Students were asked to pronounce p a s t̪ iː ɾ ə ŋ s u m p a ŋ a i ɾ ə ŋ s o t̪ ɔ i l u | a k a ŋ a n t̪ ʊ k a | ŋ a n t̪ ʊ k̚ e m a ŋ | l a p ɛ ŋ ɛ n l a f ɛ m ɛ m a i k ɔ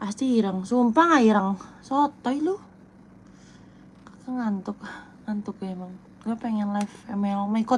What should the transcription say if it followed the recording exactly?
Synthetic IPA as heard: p a s t̪ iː ɾ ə ŋ s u m p a ŋ a i ɾ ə ŋ s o t̪ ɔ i l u | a k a ŋ a n t̪ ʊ k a | ŋ a n t̪ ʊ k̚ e m a ŋ | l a p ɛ ŋ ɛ n l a f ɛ m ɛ m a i k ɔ